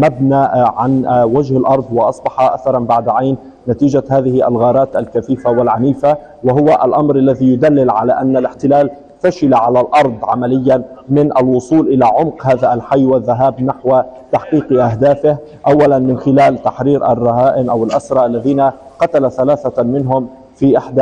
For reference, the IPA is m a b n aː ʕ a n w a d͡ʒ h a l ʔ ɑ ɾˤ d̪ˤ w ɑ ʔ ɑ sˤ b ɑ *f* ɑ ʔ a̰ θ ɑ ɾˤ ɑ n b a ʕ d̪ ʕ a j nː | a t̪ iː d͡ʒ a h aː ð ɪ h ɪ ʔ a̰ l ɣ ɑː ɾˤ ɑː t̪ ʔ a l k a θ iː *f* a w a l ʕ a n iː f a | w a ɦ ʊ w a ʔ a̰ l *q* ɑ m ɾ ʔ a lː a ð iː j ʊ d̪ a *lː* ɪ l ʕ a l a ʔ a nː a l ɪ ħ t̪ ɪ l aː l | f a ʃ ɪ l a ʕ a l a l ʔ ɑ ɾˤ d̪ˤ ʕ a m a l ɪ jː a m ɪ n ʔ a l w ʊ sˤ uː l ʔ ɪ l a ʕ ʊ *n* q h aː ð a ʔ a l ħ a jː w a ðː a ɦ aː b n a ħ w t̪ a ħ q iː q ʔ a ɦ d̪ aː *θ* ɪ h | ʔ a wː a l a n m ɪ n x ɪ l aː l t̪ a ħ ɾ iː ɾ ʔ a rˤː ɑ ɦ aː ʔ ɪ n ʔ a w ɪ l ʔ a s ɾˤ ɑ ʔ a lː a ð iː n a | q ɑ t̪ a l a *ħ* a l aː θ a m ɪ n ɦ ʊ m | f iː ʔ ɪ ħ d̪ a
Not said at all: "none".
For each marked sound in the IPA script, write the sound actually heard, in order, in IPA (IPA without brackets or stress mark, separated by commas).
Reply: ħ, f, ʔ, lː, m, f, θ